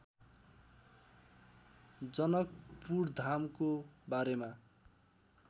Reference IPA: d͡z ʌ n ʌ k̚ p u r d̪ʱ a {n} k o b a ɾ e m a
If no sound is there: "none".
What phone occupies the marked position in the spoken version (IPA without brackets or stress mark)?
m